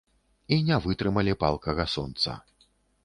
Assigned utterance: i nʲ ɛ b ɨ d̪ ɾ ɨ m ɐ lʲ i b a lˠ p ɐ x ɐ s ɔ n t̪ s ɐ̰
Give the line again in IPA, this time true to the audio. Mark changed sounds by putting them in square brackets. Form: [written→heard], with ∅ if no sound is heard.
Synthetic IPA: i nʲ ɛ [b→v] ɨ [d̪→t̪] ɾ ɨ m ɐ lʲ i [b→p] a lˠ [p→k] ɐ [x→ɣ] ɐ s ɔ n t̪ s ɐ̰